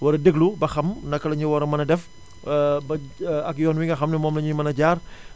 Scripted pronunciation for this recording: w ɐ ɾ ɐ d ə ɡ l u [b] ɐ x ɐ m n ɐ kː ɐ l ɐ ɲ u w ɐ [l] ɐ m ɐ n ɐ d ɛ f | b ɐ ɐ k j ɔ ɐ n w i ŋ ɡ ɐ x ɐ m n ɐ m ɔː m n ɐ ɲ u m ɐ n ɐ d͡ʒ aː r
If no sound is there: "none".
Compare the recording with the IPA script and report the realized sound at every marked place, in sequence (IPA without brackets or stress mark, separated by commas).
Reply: b, ɾ